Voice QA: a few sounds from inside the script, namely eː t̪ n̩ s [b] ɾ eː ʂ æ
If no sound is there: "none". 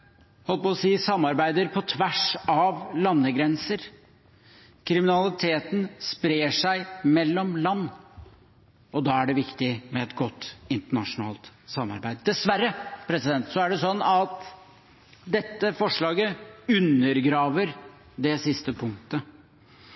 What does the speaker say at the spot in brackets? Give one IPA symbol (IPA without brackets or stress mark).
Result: p